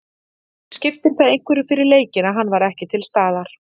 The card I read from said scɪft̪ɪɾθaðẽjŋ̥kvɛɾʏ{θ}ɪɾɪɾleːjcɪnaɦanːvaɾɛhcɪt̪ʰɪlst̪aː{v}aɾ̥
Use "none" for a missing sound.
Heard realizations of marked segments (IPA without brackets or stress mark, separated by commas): f, ð